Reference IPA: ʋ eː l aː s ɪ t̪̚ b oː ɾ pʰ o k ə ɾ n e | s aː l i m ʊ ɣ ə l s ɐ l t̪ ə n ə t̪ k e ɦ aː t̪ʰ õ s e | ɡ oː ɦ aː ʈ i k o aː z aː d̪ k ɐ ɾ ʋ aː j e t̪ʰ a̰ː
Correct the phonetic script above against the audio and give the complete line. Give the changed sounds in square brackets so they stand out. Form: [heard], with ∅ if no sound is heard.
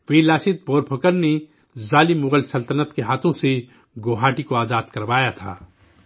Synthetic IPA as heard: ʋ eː l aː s ɪ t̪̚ b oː ɾ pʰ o k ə ɾ n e | [z] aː l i m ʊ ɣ ə l s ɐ l t̪ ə n ə t̪ k e ɦ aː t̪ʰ õ s e | ɡ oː ɦ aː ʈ i k o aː z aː d̪ k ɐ ɾ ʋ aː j [a] t̪ʰ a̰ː